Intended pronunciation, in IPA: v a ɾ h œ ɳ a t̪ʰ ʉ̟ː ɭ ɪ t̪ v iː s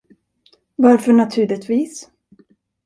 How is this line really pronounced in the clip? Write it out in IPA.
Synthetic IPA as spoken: v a ɾ f œ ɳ a t̪ʰ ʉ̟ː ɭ ɪ t̪ v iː s